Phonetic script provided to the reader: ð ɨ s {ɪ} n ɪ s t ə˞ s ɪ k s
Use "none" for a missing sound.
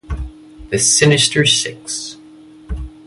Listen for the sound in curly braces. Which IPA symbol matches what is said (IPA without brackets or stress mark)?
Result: ɪ